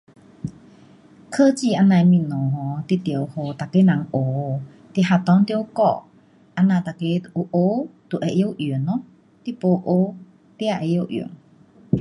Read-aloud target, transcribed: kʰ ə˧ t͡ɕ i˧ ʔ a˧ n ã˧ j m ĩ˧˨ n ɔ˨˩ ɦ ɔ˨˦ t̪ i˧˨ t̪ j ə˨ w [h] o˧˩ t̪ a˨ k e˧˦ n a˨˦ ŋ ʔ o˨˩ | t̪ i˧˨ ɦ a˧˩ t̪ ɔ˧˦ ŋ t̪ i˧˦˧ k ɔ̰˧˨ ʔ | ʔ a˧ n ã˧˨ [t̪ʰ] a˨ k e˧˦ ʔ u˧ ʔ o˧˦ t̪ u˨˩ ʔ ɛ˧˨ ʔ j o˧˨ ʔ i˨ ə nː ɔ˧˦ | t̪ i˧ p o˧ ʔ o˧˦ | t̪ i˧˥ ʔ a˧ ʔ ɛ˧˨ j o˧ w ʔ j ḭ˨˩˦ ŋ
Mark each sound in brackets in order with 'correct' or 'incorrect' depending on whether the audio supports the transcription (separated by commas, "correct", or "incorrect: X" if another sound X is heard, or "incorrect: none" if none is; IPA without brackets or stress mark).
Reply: correct, incorrect: t̪